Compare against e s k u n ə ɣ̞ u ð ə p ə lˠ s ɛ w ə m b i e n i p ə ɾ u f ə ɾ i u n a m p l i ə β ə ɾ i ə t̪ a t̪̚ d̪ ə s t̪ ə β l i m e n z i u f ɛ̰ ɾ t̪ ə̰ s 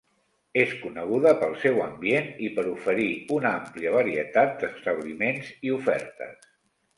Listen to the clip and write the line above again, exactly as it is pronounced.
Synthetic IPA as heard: e s k u n ə ɣ̞ u ð ə p ə lˠ s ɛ w ə m b i e n i p ə ɾ u f ə ɾ i u n a m p l i ə β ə ɾ i ə t̪ a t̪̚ d̪ ə s t̪ ə β l i m e n z i u f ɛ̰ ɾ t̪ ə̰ s

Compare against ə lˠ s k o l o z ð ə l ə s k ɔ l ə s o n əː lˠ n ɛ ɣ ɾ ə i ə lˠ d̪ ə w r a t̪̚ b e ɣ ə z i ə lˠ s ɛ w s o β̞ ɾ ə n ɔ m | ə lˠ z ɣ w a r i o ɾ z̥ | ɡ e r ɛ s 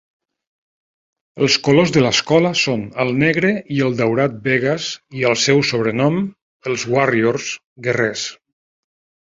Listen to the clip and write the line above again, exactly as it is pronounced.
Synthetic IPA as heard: ə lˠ s k o l o z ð ə l ə s k ɔ l ə s o n ə lˠ n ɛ ɣ ɾ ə i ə lˠ d̪ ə w ɾ a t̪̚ b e ɣ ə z i ə lˠ s ɛ w s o β̞ ɾ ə n ɔ m | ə lˠ z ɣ w a r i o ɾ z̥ | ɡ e r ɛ s

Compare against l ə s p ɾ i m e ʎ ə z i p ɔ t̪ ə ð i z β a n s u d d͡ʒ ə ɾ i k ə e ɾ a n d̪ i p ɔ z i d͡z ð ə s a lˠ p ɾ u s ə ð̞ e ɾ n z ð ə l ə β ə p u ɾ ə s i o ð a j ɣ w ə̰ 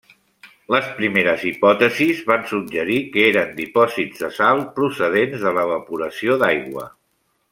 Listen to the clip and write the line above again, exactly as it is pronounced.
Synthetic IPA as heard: l ə s p ɾ i m e ɾ ə z i p ɔ t̪ ə z i z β a n s u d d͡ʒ ə ɾ i k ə e ɾ ə n d̪ i p ɔ z i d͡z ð ə s a lˠ p ɾ u s ə ð̞ e n z ð ə l ə β ə p u ɾ ə s i o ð a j ɣ w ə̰

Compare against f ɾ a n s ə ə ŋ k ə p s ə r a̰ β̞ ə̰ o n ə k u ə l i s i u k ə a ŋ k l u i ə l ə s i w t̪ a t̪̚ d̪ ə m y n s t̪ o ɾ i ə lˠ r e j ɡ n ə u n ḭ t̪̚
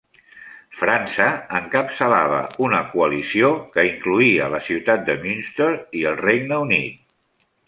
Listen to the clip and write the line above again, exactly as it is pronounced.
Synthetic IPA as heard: f ɾ a n s ə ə ŋ k ə p s ə l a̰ β̞ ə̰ u n ə k u ə l i s i o k ə i ŋ k l u i ə l ə s i w t̪ a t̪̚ d̪ ə m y n s t̪ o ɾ i ə lˠ r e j ɡ n ə u n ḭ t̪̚

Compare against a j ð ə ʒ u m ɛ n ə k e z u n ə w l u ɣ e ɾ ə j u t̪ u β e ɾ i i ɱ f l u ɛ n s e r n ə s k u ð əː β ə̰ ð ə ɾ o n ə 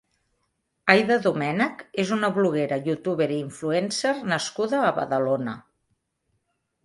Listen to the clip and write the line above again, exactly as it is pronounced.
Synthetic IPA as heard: a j ð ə ð u m ɛ n ə k e z u n ə β l u ɣ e ɾ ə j u t̪ u β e ɾ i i ɱ f l u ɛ n s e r n ə s k u ð əː β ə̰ ð ə l o n ə

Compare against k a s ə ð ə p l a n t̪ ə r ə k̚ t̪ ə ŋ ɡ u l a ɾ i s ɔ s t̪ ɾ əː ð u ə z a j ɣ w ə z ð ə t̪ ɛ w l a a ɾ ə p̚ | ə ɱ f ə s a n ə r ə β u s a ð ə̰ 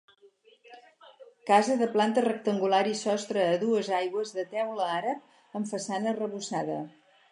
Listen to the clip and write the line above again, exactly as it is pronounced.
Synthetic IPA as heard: k a z ə ð ə p l a n t̪ ə r ə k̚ t̪ ə ŋ ɡ u l a ɾ i s ɔ s t̪ ɾ əː ð u ə z a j ɣ w ə z ð ə t̪ ɛ w l ə a ɾ ə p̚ | ə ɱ f ə s a n ə r ə β u s a ð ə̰

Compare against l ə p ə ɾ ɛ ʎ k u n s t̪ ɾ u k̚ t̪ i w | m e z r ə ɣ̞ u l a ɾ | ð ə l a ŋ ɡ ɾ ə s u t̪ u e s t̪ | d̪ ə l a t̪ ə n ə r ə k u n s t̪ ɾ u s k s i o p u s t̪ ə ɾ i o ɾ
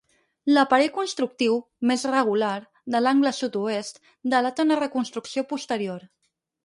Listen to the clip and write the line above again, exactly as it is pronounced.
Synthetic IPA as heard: l ə p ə ɾ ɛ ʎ k u n s t̪ ɾ u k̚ t̪ i w | m e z r ə ɣ̞ u l a ɾ | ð ə l a ŋ ɡ l ə s u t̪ u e s t̪ | d̪ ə l a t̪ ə n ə r ə k u n s t̪ ɾ u k s i o p u s t̪ ə ɾ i o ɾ

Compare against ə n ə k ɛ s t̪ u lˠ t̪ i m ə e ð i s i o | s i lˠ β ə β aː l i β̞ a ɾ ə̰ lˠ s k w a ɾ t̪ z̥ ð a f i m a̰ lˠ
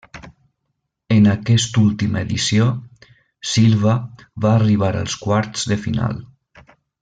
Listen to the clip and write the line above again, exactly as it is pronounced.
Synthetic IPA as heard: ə n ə k ɛ s t̪ u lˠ t̪ i m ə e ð i s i o | s i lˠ β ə β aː r i β̞ a ɾ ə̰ lˠ s k w a ɾ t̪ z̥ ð ə f i n a̰ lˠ

